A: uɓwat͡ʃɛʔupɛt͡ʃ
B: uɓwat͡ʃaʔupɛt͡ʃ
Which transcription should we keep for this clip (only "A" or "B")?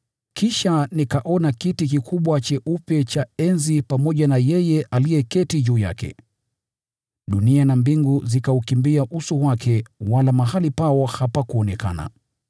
A